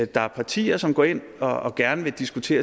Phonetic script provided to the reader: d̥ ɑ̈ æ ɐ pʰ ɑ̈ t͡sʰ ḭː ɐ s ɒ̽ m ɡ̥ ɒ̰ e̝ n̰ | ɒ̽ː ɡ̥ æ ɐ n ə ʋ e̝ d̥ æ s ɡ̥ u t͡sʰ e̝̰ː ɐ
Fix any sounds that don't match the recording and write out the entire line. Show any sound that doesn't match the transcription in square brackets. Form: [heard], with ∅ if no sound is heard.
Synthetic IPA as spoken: d̥ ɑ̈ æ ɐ pʰ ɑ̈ t͡sʰ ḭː ɐ s ɒ̽ m ɡ̥ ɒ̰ e̝ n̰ | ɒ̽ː ɡ̥ æ ɐ n ə ʋ e̝ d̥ [i] s ɡ̥ u t͡sʰ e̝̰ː ɐ